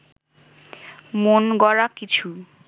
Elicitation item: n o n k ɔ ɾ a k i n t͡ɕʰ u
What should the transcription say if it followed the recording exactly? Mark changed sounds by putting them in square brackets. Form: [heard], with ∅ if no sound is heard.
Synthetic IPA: [m] o n [ɡ] ɔ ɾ a k i [∅] t͡ɕʰ u

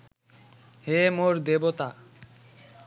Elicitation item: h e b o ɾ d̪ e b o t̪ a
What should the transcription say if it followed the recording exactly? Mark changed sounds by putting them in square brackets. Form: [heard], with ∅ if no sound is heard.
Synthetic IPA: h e [m] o ɾ d̪ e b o t̪ a

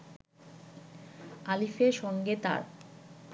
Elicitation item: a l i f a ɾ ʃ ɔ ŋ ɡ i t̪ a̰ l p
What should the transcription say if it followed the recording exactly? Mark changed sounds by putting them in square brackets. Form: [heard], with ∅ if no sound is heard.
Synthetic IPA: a l i f [e] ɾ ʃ ɔ ŋ ɡ [e] t̪ a̰ [ɾ] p

